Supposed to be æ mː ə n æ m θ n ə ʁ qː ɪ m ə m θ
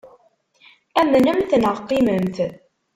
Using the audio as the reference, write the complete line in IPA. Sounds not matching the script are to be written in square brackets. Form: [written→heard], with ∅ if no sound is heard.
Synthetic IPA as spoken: æ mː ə n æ m θ n ə ʁ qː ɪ m ə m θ